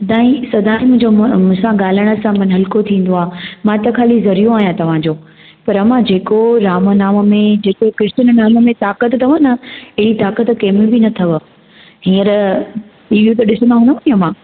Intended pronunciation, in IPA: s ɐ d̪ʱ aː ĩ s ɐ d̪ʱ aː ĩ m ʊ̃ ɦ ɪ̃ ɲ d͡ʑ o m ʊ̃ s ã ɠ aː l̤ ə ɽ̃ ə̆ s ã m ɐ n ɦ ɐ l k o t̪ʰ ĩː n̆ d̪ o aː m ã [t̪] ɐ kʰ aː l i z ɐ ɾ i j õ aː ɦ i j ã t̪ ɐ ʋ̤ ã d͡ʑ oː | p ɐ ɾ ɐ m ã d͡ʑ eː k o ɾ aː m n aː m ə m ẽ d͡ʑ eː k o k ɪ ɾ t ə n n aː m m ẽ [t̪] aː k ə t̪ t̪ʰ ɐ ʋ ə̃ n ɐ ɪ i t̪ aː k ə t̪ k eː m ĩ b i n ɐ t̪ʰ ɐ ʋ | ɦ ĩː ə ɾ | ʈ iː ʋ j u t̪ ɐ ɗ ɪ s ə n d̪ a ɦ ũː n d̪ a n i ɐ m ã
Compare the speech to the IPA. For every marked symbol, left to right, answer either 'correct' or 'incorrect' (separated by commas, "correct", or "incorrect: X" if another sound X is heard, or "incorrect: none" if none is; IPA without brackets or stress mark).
correct, correct